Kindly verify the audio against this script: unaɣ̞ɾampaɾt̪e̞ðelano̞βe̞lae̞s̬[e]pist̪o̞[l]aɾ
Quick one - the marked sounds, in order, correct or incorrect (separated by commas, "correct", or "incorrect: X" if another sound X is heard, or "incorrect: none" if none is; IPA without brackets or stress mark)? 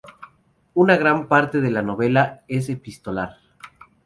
correct, correct